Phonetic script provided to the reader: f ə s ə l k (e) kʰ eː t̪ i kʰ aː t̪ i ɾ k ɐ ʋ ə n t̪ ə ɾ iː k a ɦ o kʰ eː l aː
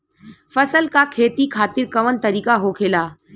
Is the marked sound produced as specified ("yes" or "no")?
no